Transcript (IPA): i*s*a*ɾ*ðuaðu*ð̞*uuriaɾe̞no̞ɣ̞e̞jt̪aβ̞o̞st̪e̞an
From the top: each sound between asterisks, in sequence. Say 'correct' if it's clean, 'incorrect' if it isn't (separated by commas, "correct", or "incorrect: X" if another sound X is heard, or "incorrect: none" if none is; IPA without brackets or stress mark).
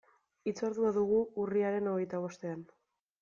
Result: incorrect: t͡s, correct, incorrect: ɣ̞